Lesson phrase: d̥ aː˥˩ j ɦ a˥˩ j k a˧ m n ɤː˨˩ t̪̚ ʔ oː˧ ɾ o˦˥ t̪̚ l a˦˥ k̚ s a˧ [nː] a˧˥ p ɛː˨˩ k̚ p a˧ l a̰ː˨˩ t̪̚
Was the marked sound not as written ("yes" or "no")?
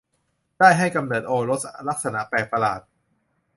yes